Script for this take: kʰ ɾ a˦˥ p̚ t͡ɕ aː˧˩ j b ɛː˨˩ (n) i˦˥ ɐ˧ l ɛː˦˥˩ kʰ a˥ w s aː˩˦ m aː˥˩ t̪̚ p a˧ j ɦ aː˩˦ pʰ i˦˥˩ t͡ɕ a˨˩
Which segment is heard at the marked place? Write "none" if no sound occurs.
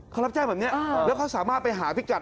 n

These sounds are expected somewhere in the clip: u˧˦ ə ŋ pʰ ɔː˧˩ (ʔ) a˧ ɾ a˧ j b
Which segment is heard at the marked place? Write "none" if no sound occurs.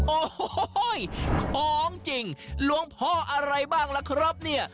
ʔ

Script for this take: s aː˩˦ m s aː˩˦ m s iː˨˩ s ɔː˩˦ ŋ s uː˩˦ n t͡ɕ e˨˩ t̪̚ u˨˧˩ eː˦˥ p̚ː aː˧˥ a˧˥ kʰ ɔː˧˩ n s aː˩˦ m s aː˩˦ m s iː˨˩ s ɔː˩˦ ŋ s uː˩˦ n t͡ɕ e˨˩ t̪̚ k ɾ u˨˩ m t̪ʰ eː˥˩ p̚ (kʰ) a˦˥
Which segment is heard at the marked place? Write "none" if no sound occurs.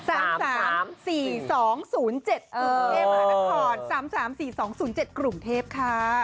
kʰ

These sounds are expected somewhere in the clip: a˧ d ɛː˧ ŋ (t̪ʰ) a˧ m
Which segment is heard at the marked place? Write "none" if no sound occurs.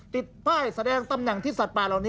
t̪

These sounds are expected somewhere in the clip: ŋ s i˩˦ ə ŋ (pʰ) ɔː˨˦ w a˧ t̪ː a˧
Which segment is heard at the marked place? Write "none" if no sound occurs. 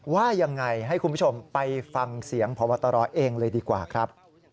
pʰ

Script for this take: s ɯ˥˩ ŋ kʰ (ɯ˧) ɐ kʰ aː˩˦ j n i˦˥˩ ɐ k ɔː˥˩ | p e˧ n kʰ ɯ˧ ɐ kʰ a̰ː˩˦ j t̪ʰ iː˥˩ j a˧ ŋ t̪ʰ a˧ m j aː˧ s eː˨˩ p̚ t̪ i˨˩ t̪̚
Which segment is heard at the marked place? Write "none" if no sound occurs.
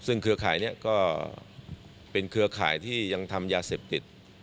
ɯ˧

